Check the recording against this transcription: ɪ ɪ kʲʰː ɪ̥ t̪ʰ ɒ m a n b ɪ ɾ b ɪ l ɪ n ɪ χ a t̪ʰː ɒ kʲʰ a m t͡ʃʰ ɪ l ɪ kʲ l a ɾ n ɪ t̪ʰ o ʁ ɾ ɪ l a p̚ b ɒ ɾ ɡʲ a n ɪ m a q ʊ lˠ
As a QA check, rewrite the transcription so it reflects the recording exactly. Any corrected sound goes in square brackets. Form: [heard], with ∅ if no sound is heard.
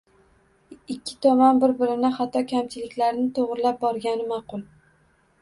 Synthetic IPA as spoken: ɪ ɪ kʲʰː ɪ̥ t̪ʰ ɒ m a n b ɪ ɾ b ɪ [ɾ] ɪ n ɪ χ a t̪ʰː ɒ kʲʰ a m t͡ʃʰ ɪ l ɪ kʲ l a ɾ n ɪ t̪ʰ o ʁ ɾ ɪ l a p̚ b ɒ ɾ ɡʲ a n ɪ m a q ʊ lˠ